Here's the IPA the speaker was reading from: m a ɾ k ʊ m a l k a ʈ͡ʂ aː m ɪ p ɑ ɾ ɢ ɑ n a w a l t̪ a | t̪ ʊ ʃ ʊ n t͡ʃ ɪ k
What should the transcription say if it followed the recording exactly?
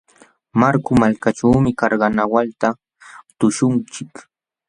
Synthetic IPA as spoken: m a ɾ k ʊ m a l k a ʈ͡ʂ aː m ɪ k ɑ ɾ ɢ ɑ n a w a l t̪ a | t̪ ʊ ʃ ʊ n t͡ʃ ɪ k